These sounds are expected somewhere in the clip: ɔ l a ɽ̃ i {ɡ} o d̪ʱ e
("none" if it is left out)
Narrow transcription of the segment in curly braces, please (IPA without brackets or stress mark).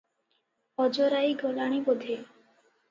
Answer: b